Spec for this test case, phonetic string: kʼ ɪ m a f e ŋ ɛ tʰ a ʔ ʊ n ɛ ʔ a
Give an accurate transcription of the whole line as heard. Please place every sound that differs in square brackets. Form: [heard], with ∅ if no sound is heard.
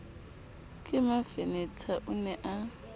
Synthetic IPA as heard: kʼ ɪ m a f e [n] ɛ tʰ a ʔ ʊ n ɛ ʔ a

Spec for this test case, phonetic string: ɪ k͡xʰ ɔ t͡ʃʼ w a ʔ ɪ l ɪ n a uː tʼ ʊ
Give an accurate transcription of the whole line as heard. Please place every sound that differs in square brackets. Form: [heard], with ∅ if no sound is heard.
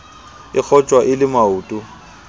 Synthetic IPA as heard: ɪ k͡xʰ ɔ t͡ʃʼ w a ʔ ɪ l ɪ [m] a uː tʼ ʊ

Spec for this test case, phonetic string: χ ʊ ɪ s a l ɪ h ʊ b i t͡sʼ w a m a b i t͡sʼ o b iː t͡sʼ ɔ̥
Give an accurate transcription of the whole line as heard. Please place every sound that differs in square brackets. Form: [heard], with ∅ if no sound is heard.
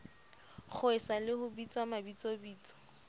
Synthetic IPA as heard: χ ʊ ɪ s a l ɪ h ʊ b i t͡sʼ w a m a b i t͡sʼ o b iː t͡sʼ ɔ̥

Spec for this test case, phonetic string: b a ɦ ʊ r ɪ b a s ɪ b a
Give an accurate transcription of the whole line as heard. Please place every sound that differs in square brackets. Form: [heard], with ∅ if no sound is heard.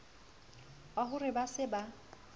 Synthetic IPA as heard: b a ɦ ʊ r ɪ b a s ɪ b a

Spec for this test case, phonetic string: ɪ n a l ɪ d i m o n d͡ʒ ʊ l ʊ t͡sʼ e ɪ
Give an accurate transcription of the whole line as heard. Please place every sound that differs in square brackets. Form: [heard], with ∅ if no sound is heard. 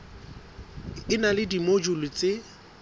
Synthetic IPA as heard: ɪ n a l ɪ d i m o [∅] d͡ʒ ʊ l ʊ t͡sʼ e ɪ

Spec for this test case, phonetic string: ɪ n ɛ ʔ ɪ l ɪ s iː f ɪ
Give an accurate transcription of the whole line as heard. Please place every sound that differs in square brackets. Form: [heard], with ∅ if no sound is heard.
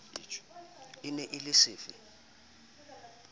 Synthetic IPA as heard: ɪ n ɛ ʔ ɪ l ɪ s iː f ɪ

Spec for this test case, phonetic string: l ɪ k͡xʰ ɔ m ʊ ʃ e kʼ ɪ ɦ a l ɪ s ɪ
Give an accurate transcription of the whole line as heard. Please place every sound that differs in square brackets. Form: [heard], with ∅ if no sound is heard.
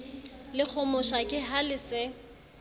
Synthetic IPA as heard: l ɪ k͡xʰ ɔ m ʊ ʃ [a] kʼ ɪ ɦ a l ɪ s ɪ

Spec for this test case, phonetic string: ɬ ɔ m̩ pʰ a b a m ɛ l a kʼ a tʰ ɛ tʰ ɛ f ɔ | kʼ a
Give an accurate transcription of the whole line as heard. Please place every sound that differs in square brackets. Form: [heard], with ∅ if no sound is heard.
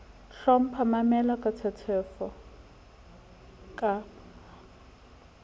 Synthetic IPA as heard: ɬ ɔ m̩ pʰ a [m] a m ɛ l a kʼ a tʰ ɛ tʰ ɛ f ɔ | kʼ a

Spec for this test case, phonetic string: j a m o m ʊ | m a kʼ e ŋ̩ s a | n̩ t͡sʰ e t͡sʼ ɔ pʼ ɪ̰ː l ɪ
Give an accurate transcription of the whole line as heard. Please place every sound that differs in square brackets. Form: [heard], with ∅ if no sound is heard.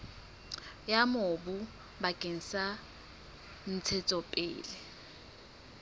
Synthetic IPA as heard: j a m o [b] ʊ | [b] a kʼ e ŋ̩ s a | n̩ t͡sʰ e t͡sʼ ɔ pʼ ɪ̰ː l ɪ

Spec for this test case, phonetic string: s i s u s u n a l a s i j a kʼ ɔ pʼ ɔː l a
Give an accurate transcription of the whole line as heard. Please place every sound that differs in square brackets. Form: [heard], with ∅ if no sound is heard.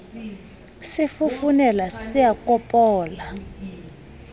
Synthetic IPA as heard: s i [f] u [f] u n [ɛ] l a s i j a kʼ ɔ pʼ ɔː l a

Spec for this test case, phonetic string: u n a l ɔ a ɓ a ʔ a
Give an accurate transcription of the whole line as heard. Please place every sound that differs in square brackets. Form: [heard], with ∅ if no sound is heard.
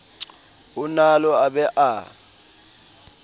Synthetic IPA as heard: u n a l ɔ a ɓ [ɛ] ʔ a

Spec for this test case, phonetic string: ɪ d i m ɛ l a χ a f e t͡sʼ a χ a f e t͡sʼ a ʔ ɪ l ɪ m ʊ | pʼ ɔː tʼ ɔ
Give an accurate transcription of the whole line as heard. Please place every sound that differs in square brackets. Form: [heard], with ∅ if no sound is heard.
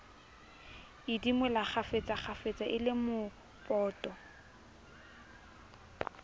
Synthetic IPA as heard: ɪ d i m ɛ l a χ a f e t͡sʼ a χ a f e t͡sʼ a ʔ ɪ l ɪ m ʊ | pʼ ɔː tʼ ɔ

